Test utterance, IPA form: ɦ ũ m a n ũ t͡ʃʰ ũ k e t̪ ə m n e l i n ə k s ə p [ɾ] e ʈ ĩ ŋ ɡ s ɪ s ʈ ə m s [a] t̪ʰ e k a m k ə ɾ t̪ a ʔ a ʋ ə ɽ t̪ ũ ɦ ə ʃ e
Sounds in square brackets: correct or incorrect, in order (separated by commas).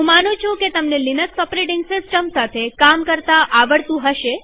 correct, correct